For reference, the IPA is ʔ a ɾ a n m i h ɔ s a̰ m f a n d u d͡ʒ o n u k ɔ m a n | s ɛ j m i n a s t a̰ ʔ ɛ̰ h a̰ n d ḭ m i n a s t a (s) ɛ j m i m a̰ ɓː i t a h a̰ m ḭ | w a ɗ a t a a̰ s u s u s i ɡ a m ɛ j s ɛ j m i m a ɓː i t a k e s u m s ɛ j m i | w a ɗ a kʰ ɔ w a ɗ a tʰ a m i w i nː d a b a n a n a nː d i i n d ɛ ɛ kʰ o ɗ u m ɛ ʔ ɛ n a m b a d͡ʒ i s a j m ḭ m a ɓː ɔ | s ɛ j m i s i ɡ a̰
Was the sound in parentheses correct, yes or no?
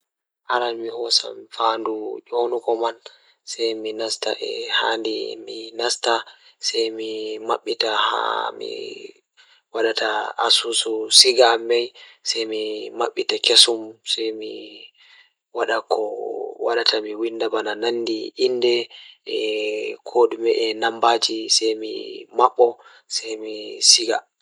yes